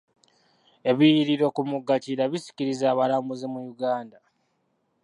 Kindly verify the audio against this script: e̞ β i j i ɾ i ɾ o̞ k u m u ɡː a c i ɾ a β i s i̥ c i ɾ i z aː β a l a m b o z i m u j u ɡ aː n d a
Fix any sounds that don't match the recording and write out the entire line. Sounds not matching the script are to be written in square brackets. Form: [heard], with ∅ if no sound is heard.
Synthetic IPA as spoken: e̞ β i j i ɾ i ɾ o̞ k u m u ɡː a c i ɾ a β i s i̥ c i ɾ i z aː β a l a m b [u] z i m u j u ɡ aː n d a